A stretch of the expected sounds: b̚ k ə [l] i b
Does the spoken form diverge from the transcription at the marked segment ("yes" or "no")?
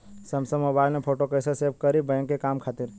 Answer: yes